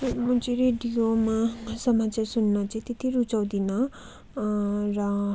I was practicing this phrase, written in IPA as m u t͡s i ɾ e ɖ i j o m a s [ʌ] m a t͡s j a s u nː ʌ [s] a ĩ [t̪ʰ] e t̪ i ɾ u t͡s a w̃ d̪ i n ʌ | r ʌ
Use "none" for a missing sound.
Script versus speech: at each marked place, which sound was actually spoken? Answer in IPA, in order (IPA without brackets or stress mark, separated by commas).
ʌ, t͡s, t̪